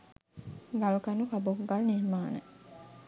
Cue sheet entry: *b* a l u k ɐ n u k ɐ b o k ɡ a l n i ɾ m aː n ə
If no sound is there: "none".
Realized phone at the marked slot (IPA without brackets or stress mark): ɡ